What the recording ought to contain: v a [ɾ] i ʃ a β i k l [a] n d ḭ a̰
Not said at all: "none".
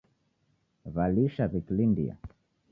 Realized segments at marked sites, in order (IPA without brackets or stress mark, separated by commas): l, i